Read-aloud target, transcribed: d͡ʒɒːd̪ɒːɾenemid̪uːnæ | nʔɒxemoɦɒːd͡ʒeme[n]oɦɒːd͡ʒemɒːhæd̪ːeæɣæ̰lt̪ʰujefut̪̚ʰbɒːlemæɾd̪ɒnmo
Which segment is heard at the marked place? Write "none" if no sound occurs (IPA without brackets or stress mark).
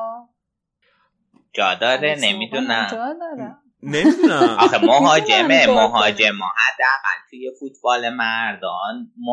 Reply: m